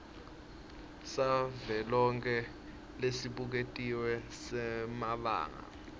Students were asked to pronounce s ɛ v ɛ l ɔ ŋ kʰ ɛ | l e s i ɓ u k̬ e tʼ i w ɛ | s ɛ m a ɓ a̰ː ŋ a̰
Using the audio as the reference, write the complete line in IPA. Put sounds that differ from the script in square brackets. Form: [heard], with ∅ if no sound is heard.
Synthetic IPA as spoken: s [a] v ɛ l ɔ ŋ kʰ ɛ | l e s i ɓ u k̬ e tʼ i w ɛ | s ɛ m a ɓ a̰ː ŋ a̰